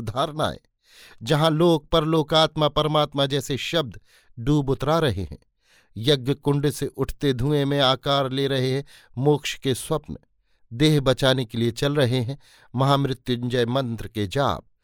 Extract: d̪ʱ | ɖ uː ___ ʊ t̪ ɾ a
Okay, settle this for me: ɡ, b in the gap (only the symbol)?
b